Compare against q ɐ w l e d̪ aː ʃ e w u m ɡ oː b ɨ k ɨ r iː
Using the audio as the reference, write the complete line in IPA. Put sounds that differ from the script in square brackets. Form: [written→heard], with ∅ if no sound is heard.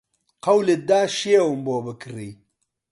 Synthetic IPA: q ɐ w l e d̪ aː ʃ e w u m [ɡ→b] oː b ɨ k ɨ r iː

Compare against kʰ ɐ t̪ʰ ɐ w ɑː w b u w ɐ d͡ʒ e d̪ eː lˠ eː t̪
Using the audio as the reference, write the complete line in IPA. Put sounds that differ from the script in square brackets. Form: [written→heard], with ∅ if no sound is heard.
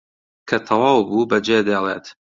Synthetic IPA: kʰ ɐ t̪ʰ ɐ w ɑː w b u [w→b] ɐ d͡ʒ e d̪ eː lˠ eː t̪

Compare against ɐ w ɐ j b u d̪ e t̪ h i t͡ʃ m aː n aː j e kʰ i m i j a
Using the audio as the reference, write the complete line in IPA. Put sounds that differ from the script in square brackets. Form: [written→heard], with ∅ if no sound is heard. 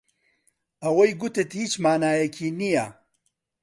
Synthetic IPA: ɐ w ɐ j [b→ɡ] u [d̪→t̪] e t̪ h i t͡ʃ m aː n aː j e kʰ i [m→n] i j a

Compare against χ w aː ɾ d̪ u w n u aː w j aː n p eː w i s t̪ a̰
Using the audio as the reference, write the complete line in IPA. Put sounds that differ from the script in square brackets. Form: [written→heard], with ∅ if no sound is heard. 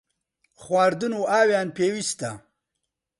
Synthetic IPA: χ w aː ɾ d̪ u [w→∅] n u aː w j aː n p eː w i s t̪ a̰

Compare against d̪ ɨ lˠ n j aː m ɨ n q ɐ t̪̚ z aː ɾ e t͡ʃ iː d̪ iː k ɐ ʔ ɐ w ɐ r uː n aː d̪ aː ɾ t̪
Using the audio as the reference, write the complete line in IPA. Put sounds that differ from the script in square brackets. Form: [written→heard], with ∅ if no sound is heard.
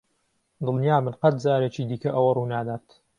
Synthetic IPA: d̪ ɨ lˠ n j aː m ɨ n q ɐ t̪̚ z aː ɾ e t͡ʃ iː d̪ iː k ɐ ʔ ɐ w ɐ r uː n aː d̪ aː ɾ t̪

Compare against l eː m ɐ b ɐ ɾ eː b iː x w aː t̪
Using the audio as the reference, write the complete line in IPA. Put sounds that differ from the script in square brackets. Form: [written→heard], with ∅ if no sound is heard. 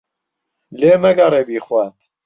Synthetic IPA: l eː m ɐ [b→ɡ] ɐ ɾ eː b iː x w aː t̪

